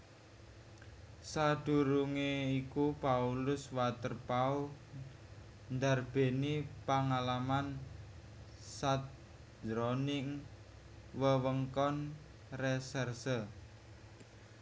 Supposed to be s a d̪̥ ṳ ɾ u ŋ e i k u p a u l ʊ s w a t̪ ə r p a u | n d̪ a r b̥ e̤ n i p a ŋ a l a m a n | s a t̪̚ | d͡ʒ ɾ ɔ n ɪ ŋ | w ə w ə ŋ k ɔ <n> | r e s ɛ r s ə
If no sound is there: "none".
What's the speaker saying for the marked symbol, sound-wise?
n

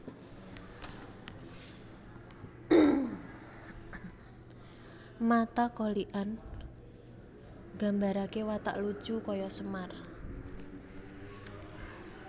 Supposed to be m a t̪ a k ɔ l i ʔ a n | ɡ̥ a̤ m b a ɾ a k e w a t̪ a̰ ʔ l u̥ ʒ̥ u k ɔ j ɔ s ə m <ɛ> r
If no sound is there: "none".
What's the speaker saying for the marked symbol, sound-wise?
a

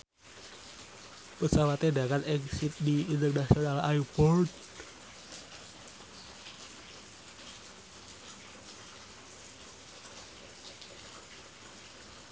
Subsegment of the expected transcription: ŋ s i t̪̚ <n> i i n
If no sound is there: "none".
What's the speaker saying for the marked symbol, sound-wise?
d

